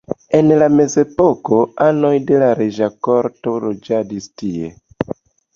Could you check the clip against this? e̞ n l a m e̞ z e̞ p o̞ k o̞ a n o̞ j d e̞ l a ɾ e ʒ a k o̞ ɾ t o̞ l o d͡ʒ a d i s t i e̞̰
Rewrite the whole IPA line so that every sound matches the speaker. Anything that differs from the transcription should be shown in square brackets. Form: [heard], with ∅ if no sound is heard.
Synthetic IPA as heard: e̞ n l a m e̞ z e̞ p o̞ k o̞ a n o̞ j d e̞ l a ɾ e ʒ a k o̞ ɾ t o̞ l o d͡ʒ a d i s t i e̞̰

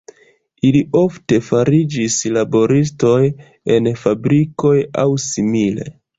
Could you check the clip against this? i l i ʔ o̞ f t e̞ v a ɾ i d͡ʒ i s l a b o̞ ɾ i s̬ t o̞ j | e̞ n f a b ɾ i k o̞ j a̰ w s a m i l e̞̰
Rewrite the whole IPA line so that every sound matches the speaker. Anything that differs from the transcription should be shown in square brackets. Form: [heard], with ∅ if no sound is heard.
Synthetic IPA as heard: i l i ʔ o̞ f t e̞ [f] a ɾ i d͡ʒ i s l a b o̞ ɾ i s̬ t o̞ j | e̞ n f a b ɾ i k o̞ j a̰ w s [i] m i l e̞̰

